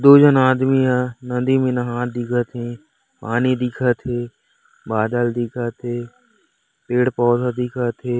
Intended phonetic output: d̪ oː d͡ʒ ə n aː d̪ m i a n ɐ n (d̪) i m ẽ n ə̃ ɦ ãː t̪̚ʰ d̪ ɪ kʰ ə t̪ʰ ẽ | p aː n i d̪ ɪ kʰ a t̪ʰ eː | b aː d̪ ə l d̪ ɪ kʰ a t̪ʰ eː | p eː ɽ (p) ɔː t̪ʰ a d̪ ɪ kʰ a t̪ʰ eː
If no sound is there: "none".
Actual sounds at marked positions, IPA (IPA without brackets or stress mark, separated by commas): d̪, p